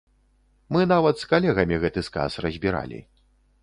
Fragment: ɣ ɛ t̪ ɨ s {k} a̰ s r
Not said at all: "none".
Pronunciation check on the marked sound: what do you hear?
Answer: k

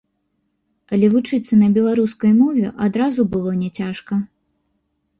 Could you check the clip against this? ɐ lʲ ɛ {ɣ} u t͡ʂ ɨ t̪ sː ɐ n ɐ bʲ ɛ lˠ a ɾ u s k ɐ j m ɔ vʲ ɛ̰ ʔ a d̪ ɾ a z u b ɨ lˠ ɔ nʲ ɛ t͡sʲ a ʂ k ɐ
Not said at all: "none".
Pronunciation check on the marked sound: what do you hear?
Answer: v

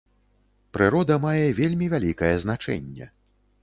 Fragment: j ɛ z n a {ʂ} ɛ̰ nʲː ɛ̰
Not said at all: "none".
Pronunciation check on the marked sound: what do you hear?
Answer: t͡ʂ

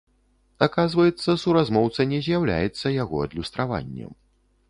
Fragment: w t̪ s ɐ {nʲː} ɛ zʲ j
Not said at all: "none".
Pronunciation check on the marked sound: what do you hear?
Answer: nʲ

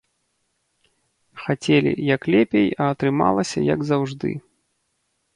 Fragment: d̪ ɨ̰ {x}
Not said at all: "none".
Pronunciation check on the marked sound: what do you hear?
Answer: none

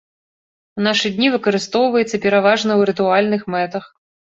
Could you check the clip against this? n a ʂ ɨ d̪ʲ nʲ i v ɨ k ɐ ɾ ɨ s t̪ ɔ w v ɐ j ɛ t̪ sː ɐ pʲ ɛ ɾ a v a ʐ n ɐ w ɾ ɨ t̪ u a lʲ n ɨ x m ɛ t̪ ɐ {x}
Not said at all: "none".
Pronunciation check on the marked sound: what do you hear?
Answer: x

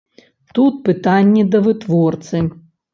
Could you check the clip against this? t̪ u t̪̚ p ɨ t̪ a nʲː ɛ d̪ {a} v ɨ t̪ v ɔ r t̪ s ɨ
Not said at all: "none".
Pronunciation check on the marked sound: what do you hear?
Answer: ɐ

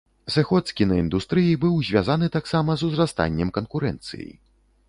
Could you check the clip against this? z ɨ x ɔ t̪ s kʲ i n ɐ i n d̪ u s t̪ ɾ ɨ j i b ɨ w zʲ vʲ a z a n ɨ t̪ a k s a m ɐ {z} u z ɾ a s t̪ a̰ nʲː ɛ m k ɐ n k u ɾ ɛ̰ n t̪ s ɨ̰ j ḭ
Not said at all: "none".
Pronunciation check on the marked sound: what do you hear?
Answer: z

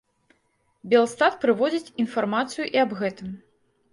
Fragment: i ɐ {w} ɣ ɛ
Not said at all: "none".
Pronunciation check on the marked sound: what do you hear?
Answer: b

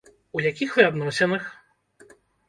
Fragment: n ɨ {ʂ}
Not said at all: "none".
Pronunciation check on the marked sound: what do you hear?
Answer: x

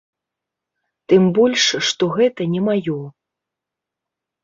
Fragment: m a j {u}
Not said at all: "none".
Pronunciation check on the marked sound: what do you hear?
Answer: ɔ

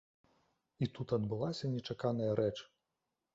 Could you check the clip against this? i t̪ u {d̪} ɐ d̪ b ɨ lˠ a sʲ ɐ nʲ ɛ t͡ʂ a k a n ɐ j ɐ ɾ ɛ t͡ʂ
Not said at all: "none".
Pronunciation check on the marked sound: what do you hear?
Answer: t̪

